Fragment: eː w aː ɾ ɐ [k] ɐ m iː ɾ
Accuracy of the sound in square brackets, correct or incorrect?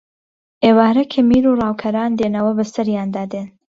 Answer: incorrect